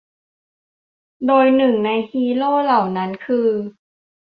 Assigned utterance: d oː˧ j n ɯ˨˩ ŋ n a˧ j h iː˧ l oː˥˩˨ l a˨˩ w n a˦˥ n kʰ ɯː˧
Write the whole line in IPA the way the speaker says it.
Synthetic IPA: d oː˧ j n ɯ˨˩ ŋ n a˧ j h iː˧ l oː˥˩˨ l a˨˩ w n a˦˥ n kʰ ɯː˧